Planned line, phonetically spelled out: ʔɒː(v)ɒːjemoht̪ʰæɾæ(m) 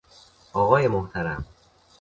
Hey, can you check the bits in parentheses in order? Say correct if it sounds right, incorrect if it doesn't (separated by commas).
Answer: incorrect, correct